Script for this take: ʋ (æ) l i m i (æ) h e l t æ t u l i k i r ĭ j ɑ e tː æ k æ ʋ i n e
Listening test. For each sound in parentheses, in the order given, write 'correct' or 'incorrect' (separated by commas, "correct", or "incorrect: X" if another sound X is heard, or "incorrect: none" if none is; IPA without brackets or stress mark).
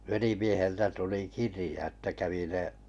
incorrect: e, incorrect: e